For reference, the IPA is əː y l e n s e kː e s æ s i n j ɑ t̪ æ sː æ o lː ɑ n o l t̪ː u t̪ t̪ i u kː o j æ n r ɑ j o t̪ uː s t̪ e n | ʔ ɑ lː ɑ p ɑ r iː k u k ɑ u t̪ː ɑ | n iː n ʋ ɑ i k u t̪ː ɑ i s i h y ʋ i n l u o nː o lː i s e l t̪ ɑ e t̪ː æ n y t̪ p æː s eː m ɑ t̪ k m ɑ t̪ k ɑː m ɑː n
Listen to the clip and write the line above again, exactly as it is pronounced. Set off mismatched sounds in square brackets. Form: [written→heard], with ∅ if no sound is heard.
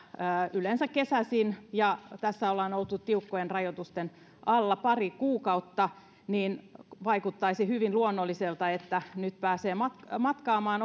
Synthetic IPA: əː y l e n s [e→æ] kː e s æ s i n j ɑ t̪ æ sː æ o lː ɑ n o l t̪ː u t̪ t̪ i u kː o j [æ→e] n r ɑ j o t̪ [uː→u] s t̪ e n | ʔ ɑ lː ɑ p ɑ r [iː→i] k [u→uː] k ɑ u t̪ː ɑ | n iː n ʋ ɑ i k u t̪ː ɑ i s i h y ʋ i n l u o nː o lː i s e l t̪ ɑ e t̪ː æ n y t̪ p æː s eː m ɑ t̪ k m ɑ t̪ k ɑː m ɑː n